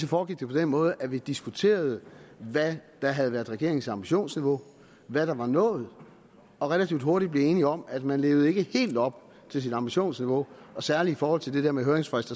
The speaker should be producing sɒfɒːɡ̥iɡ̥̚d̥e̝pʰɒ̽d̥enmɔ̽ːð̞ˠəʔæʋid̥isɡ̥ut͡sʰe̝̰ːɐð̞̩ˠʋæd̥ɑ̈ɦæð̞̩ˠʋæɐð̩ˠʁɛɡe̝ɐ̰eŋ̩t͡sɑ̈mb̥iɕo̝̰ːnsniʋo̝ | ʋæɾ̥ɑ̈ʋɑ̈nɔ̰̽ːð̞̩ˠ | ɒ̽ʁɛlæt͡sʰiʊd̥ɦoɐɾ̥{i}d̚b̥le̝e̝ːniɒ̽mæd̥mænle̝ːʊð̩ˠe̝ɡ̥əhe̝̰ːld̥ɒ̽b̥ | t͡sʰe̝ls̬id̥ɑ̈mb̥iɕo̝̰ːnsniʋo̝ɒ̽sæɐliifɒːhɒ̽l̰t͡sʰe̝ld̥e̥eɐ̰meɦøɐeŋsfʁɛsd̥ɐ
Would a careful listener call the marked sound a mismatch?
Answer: no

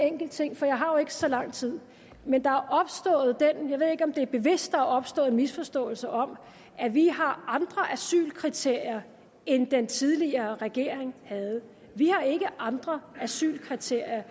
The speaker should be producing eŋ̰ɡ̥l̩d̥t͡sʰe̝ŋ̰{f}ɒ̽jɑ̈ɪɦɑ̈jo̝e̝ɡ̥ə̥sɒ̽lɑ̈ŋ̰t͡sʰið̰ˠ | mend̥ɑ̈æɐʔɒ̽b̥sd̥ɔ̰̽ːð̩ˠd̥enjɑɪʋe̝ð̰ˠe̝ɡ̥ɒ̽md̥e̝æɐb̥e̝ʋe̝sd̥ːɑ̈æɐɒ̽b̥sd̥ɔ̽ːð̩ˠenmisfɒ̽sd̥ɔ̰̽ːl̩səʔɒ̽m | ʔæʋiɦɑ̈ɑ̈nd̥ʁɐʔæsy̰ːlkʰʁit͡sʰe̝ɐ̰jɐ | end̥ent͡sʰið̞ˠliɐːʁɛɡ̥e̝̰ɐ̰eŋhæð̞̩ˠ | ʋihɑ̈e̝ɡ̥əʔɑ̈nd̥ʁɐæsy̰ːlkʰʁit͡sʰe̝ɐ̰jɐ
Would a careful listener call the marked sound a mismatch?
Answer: no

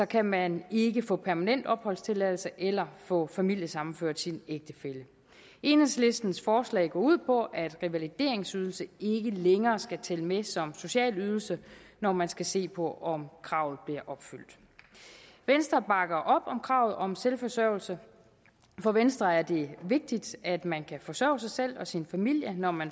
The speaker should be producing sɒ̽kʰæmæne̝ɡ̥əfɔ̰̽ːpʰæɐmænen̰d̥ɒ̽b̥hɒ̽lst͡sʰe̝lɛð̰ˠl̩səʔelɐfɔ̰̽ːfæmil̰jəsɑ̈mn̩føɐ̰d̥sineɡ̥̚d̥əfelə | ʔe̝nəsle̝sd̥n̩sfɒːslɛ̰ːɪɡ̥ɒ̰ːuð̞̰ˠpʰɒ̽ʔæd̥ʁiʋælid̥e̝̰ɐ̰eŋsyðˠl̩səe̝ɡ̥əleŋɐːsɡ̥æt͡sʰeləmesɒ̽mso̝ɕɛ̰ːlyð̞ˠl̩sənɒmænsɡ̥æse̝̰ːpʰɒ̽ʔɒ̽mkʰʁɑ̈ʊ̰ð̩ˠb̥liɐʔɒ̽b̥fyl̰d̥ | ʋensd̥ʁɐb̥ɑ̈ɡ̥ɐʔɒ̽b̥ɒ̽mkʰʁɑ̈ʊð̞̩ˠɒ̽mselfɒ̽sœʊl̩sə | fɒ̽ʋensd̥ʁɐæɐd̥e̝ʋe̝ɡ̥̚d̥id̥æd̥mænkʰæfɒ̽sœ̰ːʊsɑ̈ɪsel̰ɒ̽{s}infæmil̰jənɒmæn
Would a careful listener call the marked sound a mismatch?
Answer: no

